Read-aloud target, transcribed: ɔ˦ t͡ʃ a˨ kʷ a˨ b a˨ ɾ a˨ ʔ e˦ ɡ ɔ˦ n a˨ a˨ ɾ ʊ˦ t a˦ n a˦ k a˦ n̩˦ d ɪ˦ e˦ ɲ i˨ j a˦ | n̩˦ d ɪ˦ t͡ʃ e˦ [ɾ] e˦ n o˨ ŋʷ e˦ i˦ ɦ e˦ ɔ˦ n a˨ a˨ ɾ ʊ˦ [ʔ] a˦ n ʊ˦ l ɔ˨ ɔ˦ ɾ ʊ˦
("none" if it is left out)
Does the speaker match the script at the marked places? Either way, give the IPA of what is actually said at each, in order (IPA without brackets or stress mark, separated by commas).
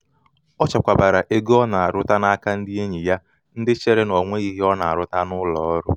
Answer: ɾ, t